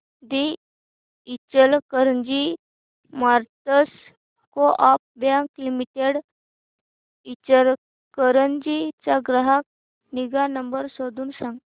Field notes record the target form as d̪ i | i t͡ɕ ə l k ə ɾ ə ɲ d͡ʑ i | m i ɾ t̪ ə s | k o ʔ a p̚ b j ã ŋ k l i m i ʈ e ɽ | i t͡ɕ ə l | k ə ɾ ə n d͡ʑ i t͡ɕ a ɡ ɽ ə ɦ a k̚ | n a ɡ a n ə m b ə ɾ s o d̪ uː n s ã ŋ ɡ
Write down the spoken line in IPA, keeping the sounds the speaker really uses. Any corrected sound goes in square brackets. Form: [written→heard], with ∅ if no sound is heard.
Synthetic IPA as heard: d̪ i | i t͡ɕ ə l k ə ɾ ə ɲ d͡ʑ i | m [i→a] ɾ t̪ ə s | k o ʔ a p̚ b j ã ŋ k l i m i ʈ e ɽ | i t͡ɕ ə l | k ə ɾ ə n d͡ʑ i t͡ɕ a ɡ [ɽ→ɾ] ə ɦ a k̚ | n [a→i] ɡ a n ə m b ə ɾ s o d̪ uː n s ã ŋ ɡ